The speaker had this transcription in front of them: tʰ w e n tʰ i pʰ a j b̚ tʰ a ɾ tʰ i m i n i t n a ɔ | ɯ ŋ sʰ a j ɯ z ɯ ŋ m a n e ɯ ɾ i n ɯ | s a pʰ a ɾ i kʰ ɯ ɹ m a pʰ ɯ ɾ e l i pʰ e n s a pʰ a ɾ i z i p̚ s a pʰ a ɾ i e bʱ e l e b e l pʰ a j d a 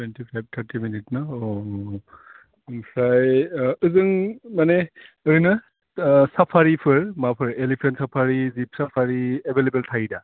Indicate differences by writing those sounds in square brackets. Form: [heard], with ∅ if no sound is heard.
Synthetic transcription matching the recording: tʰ w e n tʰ i pʰ a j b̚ tʰ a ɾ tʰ i m i n i t n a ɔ | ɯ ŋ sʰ a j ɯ z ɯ ŋ m a n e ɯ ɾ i n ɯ | s a pʰ a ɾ i [pʰ] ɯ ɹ m a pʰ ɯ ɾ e l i pʰ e n s a pʰ a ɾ i z i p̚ s a pʰ a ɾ i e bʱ e l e b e l [tʰ] a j d a